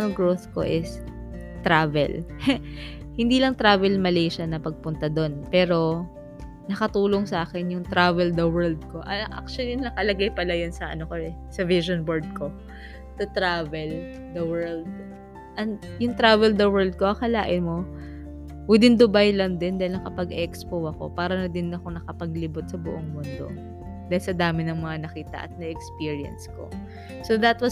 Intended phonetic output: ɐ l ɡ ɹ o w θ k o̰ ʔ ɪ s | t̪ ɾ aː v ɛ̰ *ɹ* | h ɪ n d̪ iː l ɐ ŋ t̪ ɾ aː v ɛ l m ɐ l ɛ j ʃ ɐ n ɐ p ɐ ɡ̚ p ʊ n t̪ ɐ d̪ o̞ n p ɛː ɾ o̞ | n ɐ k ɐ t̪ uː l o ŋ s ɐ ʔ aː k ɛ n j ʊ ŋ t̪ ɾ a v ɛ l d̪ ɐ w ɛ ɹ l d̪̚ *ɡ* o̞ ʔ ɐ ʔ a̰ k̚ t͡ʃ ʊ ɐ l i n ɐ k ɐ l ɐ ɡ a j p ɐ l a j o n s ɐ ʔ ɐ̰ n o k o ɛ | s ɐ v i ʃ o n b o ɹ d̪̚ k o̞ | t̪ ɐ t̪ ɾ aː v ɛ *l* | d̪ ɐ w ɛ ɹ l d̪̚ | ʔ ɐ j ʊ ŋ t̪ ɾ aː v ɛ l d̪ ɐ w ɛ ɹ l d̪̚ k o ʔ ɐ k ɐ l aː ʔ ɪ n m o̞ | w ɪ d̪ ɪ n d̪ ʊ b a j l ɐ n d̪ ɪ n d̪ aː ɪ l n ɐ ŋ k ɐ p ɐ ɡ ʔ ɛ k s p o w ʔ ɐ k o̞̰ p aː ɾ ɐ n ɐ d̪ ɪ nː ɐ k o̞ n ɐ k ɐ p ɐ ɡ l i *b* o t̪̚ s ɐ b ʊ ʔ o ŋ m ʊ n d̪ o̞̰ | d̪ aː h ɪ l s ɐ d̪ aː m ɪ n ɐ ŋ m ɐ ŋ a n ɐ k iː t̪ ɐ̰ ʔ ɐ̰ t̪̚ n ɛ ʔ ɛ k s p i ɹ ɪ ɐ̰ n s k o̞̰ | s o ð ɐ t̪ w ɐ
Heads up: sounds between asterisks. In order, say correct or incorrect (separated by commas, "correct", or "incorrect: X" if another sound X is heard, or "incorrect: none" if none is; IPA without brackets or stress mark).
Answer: incorrect: l, incorrect: k, correct, correct